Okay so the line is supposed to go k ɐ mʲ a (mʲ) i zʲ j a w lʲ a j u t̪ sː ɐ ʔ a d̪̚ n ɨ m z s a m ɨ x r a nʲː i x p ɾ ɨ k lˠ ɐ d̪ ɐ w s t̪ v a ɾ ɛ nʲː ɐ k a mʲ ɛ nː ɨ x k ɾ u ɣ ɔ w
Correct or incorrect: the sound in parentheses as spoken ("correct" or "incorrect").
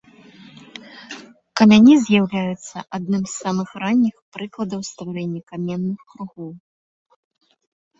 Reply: incorrect